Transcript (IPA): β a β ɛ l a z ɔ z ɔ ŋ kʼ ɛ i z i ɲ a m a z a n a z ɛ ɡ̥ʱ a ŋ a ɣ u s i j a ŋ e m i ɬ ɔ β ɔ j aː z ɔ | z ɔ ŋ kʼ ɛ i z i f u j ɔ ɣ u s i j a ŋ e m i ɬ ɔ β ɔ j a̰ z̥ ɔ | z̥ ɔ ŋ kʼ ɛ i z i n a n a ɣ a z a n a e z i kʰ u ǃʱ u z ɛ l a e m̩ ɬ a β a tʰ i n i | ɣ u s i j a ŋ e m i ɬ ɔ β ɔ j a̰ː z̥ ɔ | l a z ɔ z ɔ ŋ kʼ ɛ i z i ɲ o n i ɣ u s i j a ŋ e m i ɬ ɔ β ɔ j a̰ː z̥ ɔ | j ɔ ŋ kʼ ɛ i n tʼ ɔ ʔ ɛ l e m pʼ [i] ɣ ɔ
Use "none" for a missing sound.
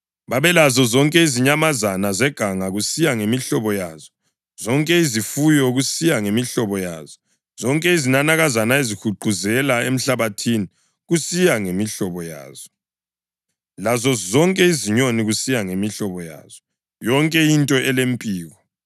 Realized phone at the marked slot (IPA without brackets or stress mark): iː